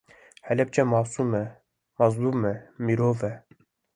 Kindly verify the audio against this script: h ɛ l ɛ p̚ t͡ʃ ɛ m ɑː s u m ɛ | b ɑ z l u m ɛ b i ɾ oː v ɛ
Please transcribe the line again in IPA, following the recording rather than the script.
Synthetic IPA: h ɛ l ɛ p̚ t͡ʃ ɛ m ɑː s u m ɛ | m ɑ z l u m ɛ m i ɾ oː v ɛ